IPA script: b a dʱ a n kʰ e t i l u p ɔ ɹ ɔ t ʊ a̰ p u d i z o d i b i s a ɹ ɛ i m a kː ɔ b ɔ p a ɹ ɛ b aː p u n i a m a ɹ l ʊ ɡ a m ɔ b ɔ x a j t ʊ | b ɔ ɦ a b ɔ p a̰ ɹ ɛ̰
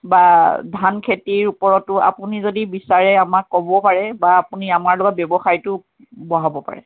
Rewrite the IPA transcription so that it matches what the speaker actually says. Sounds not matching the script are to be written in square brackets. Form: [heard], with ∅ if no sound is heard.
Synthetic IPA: b a dʱ a n kʰ e t i [ɹ] u p ɔ ɹ ɔ t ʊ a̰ p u [n] i z o d i b i s a ɹ ɛ [a] m a kː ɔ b ɔ p a ɹ ɛ b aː p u n i a m a ɹ l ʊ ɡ a [b] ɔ b ɔ x a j t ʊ | b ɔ ɦ a b ɔ p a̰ ɹ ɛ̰

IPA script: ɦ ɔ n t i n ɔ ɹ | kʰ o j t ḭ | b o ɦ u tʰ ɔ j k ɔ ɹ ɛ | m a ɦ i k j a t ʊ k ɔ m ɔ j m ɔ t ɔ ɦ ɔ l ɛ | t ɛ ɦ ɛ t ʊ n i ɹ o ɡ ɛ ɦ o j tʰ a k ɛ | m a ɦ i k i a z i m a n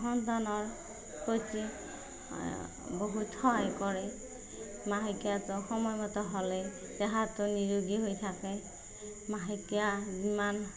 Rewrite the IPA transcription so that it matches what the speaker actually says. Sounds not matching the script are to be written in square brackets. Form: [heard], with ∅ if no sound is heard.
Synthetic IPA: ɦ ɔ n t [a] n ɔ ɹ | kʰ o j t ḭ | b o ɦ u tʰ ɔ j k ɔ ɹ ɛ | m a ɦ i k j a t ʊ [x] ɔ m ɔ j m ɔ t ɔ ɦ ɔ l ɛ | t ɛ ɦ [a] t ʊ n i ɹ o ɡ [i] ɦ o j tʰ a k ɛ | m a ɦ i k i a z i m a n

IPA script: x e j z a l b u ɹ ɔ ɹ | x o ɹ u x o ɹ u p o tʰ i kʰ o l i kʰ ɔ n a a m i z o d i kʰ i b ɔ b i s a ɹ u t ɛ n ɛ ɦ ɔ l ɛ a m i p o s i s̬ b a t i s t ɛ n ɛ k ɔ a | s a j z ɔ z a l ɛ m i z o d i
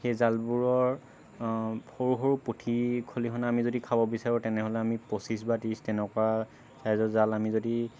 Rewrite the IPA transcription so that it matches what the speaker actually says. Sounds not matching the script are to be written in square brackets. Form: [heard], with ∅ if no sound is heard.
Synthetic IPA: x e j z a l b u ɹ ɔ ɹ | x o ɹ u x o ɹ u p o tʰ i kʰ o l i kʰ ɔ n a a m i z o d i kʰ [a] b ɔ b i s a ɹ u t ɛ n ɛ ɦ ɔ l ɛ a m i p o s i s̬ b a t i s t ɛ n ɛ k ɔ a | s a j z ɔ z a l [a] m i z o d i

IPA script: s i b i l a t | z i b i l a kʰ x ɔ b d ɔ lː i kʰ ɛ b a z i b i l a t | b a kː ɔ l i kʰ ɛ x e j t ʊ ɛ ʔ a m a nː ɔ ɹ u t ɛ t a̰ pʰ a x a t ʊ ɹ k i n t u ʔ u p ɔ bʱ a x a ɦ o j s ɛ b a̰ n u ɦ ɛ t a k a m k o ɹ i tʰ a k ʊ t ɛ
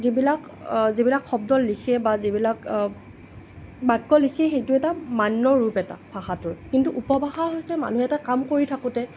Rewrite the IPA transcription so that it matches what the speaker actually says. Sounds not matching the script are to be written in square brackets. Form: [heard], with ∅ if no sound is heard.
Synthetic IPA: [z] i b i l a [k] | z i b i l a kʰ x ɔ b d ɔ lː i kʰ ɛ b a z i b i l a [k] | b a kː ɔ l i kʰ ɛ x e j t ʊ ɛ [t] a m a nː ɔ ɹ u [p] ɛ t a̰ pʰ a x a t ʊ ɹ k i n t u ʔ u p ɔ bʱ a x a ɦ o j s ɛ [m] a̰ n u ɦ ɛ t a k a m k o ɹ i tʰ a k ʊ t ɛ

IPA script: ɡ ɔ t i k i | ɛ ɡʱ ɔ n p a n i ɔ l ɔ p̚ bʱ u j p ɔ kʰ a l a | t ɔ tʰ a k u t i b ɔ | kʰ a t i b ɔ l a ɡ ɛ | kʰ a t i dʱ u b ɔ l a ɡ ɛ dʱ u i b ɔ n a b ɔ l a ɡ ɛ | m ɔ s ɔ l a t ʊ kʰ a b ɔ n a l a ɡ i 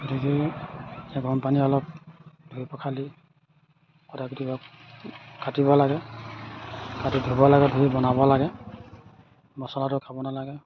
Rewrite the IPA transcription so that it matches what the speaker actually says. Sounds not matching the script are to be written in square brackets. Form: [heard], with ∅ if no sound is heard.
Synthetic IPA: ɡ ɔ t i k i | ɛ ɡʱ ɔ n p a n i ɔ l ɔ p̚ [dʱ] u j p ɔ kʰ a l [i] | [k] ɔ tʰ a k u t i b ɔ | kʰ a t i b ɔ l a ɡ ɛ | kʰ a t i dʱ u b ɔ l a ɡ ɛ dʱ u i b ɔ n a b ɔ l a ɡ ɛ | m ɔ s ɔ l a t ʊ kʰ a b ɔ n a l a ɡ [ɛ]

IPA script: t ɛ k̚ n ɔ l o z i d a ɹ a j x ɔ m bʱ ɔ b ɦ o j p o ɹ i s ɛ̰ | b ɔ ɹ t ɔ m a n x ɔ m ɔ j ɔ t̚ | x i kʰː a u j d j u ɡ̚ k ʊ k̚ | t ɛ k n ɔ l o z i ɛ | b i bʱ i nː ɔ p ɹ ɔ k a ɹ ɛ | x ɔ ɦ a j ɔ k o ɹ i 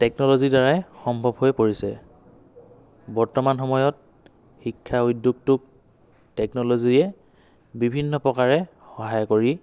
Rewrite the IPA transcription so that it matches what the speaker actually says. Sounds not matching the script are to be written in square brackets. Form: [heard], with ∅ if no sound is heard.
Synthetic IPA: t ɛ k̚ n ɔ l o z i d a ɹ a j x ɔ m bʱ ɔ b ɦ o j p o ɹ i s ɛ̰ | b ɔ ɹ t ɔ m a n x ɔ m ɔ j ɔ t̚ | x i kʰː a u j d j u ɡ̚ [t] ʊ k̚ | t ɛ k n ɔ l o z i ɛ | b i bʱ i nː ɔ p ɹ ɔ k a ɹ ɛ | x ɔ ɦ a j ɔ k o ɹ i

